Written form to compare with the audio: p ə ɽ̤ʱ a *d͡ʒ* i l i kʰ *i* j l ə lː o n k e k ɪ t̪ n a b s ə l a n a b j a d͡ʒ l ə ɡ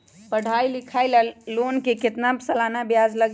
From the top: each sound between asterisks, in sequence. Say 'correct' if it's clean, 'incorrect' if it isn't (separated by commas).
incorrect, incorrect